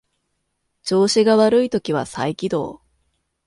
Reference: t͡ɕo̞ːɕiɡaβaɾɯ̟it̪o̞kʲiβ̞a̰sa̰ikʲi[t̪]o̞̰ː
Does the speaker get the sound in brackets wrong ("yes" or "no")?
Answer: yes